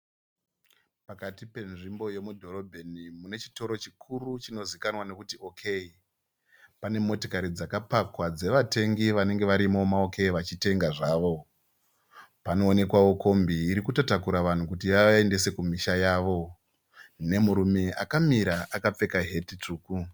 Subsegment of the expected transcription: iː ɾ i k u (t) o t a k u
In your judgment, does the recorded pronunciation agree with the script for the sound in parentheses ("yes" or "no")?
yes